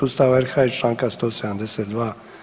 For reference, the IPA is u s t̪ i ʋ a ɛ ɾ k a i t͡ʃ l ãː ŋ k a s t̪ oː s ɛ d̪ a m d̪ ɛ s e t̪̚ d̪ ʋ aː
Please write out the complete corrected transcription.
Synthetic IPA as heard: u s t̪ a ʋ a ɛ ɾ x a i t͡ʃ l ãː ŋ k a s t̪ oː s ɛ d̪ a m d̪ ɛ s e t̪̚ d̪ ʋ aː